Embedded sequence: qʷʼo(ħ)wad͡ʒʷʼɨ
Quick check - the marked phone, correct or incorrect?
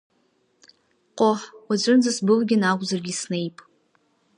correct